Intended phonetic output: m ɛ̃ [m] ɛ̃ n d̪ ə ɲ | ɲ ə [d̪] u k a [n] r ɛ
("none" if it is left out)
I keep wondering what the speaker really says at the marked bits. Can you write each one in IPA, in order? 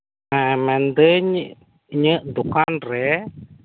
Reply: m, d̪, n

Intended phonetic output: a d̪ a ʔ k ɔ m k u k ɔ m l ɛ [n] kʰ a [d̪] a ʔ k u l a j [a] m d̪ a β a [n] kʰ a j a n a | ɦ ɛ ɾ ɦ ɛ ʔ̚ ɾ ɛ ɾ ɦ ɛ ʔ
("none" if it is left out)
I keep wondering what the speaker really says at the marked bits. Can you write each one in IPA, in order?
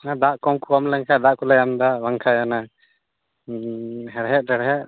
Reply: ŋ, d̪, a, ŋ

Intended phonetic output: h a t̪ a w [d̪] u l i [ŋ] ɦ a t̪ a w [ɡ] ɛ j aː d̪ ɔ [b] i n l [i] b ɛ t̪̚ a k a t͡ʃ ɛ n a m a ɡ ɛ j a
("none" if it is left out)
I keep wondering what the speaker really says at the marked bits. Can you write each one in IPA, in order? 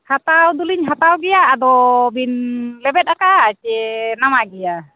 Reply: d̪, ɲ, ɡ, b, ɛ

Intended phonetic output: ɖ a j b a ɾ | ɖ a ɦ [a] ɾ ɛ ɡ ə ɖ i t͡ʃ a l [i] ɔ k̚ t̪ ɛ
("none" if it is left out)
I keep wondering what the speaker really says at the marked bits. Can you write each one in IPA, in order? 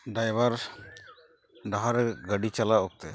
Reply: a, a

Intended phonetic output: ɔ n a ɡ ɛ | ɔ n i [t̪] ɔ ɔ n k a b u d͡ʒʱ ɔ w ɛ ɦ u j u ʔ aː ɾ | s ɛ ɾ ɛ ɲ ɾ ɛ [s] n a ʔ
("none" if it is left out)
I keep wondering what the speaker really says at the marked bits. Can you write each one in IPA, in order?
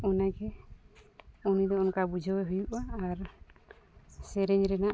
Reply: d̪, none

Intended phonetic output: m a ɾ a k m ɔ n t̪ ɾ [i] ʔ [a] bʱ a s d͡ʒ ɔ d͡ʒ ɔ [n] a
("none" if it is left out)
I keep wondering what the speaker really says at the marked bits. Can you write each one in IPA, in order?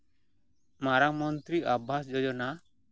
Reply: i, a, n

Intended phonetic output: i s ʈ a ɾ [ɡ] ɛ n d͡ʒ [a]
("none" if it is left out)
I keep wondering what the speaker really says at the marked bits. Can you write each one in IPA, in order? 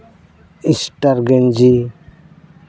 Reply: ɡ, i

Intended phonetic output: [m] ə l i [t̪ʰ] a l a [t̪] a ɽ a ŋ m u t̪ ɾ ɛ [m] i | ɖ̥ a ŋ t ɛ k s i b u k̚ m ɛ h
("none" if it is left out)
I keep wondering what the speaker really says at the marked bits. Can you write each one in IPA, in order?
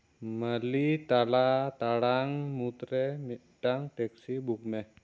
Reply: m, t̪, t̪, m

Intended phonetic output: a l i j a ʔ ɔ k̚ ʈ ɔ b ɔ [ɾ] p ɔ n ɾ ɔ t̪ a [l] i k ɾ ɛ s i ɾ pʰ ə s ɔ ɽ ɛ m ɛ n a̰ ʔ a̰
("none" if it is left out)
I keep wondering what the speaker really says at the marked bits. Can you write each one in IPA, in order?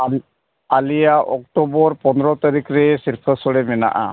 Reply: ɾ, ɾ

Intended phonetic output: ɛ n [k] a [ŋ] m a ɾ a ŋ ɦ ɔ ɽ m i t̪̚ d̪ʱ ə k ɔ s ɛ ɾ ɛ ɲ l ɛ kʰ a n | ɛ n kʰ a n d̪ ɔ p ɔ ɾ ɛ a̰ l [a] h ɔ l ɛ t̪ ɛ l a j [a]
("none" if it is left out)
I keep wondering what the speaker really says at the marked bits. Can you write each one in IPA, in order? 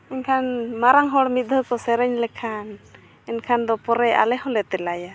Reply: kʰ, n, ɛ, a

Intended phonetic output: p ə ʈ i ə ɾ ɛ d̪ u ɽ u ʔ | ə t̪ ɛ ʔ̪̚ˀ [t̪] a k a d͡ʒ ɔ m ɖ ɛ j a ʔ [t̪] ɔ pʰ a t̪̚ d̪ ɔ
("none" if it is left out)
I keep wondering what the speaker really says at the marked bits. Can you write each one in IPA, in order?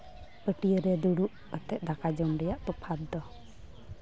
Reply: d̪, t̪

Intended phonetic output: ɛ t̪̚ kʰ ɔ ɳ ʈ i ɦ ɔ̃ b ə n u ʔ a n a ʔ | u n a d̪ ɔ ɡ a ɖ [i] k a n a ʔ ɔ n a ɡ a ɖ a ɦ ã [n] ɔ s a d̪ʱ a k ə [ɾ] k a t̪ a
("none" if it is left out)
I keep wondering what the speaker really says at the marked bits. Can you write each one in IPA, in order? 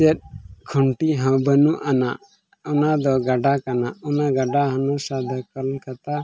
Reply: a, n, l

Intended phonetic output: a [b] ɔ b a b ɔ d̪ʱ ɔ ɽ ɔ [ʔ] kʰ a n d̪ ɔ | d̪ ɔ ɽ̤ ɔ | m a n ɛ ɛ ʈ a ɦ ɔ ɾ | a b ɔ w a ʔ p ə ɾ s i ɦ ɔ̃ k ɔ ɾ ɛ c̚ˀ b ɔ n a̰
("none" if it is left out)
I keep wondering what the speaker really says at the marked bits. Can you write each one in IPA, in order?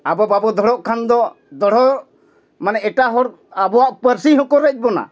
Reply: b, ʔ

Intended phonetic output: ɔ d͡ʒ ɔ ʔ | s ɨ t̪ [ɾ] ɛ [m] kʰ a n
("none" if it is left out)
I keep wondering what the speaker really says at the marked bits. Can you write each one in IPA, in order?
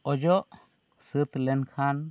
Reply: l, n

